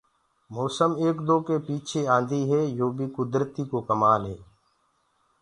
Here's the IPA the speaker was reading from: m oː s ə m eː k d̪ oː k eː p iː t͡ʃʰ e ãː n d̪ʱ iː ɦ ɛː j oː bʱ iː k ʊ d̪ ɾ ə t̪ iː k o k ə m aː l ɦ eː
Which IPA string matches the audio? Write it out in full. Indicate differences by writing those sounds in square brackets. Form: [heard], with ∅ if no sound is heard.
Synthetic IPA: m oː s ə m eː k d̪ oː k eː p iː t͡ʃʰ e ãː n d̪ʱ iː ɦ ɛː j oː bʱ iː k ʊ d̪ ɾ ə t̪ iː k o k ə m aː l ɦ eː